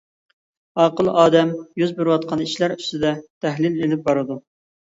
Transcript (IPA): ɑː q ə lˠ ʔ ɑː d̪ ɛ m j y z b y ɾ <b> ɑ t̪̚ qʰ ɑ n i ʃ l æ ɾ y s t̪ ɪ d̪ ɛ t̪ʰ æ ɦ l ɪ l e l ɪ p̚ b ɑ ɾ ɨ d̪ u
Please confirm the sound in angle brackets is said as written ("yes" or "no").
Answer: no